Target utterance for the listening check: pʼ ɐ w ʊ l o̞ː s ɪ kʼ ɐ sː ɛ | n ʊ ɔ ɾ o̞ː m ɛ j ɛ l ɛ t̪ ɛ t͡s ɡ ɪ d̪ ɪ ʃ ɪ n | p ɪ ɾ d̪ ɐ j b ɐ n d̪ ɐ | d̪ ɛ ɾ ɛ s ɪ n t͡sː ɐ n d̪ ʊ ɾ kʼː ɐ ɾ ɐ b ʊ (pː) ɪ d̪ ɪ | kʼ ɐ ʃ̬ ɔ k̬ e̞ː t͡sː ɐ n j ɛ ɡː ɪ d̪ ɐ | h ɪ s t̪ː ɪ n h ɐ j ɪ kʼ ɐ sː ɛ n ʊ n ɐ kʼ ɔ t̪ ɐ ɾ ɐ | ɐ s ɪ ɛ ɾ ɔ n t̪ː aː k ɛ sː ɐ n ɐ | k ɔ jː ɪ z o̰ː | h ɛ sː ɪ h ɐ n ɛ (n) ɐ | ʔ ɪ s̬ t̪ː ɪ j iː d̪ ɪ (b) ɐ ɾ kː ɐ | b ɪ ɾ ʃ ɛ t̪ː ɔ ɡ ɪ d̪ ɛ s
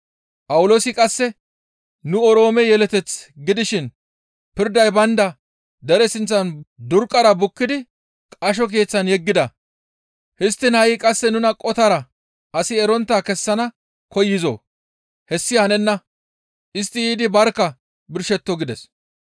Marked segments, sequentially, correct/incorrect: incorrect: kː, incorrect: nː, correct

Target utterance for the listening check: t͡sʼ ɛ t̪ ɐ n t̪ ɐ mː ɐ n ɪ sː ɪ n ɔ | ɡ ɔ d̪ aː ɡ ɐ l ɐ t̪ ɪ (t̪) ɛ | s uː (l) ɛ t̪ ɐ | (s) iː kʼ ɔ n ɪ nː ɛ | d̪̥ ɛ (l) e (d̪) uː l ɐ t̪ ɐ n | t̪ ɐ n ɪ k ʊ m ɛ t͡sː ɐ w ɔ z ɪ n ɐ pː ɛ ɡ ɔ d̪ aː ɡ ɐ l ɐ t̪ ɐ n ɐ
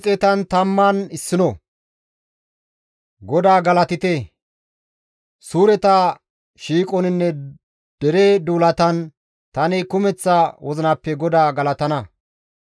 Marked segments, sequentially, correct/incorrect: correct, incorrect: ɾ, incorrect: ʃ, incorrect: ɾ, correct

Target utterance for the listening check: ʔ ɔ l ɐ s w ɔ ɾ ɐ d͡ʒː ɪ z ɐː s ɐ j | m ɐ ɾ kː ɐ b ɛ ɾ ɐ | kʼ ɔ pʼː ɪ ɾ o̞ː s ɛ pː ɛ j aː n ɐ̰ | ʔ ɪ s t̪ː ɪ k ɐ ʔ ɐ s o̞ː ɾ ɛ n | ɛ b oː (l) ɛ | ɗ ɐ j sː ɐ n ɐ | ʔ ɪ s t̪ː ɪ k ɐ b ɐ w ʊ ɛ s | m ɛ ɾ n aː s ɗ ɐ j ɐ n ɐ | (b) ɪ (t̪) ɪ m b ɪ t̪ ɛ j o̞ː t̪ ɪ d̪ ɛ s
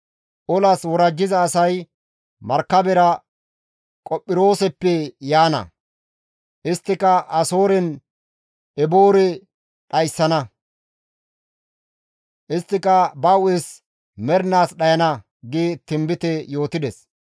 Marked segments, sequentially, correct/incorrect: incorrect: ɾ, incorrect: ɡ, correct

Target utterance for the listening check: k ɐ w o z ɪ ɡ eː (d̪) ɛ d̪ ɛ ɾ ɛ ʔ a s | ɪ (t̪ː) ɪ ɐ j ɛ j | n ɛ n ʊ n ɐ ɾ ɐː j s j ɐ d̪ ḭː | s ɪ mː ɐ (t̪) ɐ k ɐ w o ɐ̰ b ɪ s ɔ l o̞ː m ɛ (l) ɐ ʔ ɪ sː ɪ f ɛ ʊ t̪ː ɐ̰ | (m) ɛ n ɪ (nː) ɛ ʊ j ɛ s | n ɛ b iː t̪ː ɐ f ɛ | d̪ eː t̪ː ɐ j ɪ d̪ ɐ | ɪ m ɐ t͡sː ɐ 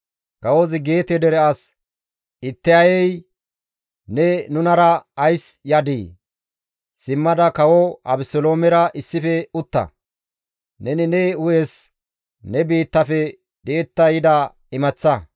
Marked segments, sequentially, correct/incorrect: incorrect: t̪, correct, incorrect: d̪, incorrect: ɾ, incorrect: n, incorrect: n

